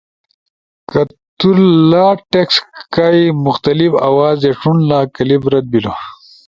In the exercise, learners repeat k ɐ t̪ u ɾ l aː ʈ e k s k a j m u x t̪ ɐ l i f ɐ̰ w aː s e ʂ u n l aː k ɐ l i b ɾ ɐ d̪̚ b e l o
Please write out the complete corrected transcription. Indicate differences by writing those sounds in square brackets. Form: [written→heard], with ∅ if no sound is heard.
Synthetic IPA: k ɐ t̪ u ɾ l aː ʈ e k s k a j m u x t̪ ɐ l i f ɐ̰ w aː [s→z] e ʂ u n l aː k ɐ l i b ɾ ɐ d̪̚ b [e→i] l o